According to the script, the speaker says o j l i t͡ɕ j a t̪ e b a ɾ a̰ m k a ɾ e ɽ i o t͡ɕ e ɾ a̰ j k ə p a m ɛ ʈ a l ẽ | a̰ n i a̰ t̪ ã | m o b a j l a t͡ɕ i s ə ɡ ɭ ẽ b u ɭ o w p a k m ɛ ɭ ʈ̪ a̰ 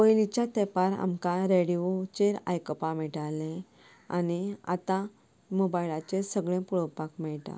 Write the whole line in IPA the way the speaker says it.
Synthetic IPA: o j l i t͡ɕ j a t̪ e p a ɾ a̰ m k a ɾ e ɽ i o t͡ɕ e ɾ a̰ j k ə p a m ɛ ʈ a l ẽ | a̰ n i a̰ t̪ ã | m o b a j l a t͡ɕ e s ə ɡ ɭ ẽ p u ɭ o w p a k m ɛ ɭ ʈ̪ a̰